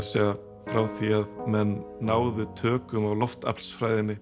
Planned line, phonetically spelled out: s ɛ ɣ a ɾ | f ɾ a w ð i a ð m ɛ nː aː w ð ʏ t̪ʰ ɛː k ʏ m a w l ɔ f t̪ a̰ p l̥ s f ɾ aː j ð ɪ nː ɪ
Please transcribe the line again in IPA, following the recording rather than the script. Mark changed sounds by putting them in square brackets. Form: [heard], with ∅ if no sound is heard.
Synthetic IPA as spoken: s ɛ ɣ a [∅] | f ɾ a w [θ] i a ð m ɛ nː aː w ð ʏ t̪ʰ [œː] k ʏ m a w l ɔ f t̪ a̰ p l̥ s f ɾ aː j ð ɪ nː ɪ